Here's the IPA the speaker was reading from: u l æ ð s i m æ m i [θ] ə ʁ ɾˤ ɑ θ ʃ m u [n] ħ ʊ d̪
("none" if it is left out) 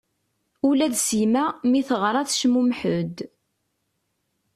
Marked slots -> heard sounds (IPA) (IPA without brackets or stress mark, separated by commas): θ, m